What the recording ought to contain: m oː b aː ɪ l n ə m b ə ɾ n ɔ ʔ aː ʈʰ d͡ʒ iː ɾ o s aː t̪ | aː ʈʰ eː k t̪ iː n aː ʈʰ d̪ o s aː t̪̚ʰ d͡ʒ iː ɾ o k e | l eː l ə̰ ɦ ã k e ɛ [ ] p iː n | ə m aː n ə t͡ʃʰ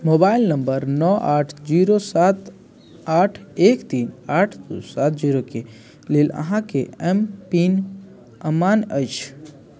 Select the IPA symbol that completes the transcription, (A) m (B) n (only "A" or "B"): A